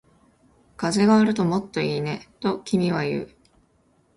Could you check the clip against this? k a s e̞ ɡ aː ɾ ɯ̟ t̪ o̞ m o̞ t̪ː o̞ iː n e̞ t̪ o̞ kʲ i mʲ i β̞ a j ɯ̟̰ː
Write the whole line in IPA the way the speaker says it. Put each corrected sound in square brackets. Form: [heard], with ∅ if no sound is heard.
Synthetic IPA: k a [z] e̞ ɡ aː ɾ ɯ̟ t̪ o̞ m o̞ t̪ː o̞ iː n e̞ t̪ o̞ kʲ i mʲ i β̞ a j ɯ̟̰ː